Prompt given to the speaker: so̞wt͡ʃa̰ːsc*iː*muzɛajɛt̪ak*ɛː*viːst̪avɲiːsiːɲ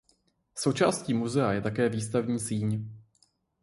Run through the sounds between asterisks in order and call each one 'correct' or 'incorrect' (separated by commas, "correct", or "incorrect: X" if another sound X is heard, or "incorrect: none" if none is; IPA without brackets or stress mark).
correct, correct